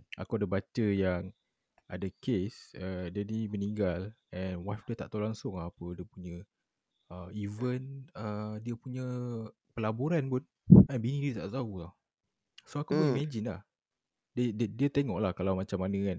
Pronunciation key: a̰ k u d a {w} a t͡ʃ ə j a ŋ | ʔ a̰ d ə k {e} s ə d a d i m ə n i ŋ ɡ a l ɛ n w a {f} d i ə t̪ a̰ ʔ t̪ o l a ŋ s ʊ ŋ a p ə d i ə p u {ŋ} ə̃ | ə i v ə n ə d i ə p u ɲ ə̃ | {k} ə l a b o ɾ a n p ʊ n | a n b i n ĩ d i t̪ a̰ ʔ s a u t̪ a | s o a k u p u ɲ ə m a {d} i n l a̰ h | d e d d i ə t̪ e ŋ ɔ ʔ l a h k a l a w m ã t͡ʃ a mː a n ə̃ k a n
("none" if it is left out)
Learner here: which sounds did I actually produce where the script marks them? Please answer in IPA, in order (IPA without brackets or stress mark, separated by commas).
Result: b, e, f, ɲ, p, d͡ʒ